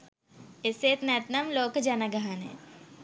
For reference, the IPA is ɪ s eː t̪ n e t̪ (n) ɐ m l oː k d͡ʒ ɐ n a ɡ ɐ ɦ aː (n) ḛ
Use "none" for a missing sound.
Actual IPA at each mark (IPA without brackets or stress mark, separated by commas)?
n, n